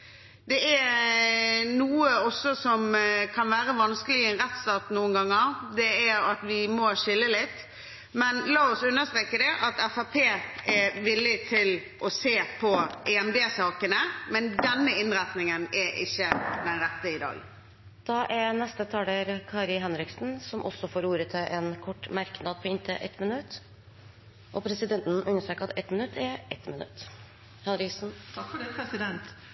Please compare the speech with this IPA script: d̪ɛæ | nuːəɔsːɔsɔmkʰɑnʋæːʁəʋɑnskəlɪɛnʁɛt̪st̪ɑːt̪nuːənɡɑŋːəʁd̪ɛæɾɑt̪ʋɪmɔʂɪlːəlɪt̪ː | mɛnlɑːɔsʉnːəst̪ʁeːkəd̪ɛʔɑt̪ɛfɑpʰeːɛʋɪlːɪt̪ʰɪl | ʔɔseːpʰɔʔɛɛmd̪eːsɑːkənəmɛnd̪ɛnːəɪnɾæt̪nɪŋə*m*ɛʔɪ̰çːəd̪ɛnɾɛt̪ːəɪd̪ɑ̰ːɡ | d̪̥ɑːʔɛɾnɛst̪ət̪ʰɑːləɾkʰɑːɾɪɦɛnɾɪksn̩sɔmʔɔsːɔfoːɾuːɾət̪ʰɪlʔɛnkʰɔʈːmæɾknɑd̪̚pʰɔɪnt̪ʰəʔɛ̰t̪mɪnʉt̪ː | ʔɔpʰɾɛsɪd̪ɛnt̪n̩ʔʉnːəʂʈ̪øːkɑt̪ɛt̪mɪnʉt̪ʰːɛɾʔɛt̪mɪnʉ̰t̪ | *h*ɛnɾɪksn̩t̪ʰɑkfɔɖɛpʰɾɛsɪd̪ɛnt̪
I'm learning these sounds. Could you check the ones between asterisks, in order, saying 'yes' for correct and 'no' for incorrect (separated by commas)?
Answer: no, yes